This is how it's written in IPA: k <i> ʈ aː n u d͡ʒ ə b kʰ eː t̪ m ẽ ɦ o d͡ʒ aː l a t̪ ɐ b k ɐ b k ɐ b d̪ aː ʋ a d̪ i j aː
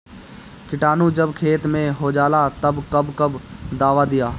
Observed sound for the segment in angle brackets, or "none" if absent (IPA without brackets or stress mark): ɪ